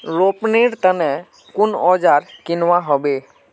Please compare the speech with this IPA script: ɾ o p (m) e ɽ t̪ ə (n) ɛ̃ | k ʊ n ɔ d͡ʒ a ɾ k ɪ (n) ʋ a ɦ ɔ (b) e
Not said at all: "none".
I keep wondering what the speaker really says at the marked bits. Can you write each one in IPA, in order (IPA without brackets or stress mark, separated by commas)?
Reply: n, n, n, b